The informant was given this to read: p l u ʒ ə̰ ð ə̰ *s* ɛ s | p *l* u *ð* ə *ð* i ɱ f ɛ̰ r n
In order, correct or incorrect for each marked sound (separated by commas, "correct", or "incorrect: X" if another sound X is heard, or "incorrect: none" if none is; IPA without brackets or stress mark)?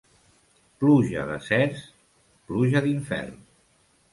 correct, correct, incorrect: ʒ, correct